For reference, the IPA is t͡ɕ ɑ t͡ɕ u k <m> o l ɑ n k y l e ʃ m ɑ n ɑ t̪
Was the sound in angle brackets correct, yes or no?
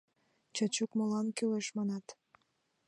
yes